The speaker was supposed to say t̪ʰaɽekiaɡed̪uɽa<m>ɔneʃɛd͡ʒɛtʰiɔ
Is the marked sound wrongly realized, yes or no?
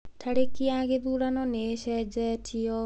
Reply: yes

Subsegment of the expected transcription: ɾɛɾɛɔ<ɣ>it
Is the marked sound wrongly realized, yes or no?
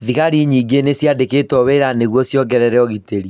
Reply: no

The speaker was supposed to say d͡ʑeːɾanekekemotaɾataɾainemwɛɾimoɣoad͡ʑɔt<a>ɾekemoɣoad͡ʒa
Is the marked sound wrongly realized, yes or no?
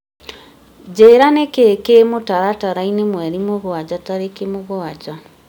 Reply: no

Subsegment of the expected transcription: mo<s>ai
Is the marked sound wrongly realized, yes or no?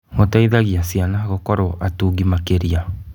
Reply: yes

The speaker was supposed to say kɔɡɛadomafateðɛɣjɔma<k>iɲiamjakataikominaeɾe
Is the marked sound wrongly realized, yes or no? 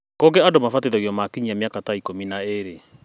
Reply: no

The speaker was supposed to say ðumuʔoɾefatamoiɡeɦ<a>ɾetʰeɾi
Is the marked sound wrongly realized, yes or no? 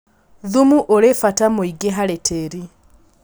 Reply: no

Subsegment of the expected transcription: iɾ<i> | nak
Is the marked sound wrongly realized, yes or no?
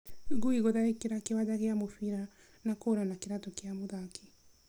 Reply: yes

